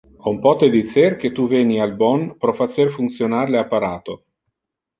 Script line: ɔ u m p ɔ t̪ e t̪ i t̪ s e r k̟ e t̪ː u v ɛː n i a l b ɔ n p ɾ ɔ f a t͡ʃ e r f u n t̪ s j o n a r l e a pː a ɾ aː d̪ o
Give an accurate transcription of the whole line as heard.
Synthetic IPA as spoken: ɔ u m p ɔ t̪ e d̪ i t̪ s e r k̟ e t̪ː u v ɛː n i a l b ɔ n p ɾ ɔ f a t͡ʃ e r f u n t̪ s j o n a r l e a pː a ɾ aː t̪ o